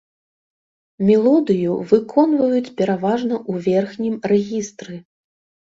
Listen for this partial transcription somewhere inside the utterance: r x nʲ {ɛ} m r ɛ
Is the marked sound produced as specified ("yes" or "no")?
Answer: no